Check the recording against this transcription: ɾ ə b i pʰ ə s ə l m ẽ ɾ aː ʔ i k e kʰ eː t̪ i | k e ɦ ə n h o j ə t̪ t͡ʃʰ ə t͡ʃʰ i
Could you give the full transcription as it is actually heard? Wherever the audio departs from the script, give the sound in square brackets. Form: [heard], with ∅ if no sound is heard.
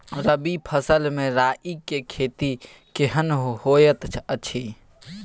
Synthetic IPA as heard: ɾ ə b i pʰ ə s ə l m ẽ ɾ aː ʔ i k e kʰ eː t̪ i | k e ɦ ə n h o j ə t̪ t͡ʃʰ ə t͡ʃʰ i